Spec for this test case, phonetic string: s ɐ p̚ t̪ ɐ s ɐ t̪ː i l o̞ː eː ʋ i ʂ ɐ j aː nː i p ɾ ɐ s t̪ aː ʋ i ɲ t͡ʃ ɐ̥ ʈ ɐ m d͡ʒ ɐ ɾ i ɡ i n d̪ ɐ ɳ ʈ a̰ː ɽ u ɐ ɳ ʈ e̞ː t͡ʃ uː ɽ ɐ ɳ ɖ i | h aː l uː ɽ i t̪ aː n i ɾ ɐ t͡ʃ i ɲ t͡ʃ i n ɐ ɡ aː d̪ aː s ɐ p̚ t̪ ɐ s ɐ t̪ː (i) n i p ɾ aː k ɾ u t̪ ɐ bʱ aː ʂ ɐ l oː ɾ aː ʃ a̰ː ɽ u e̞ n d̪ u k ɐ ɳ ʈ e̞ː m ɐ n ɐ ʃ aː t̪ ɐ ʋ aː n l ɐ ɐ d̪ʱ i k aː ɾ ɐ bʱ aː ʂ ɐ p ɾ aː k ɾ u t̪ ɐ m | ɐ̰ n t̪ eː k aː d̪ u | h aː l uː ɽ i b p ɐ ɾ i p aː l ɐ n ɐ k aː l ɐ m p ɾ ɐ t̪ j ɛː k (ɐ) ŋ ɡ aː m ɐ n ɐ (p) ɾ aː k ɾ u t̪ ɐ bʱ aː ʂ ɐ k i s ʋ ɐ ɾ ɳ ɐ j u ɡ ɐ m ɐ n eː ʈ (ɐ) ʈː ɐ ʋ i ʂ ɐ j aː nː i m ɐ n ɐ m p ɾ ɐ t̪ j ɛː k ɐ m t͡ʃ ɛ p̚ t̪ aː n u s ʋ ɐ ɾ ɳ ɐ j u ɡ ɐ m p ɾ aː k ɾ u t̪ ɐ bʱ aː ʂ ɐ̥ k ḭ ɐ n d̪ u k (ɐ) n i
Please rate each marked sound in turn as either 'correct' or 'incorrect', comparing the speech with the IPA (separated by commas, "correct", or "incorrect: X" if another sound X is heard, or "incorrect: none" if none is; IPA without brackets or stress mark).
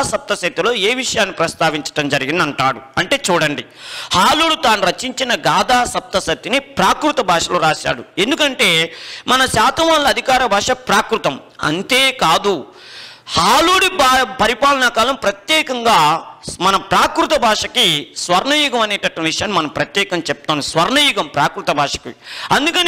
correct, correct, correct, correct, correct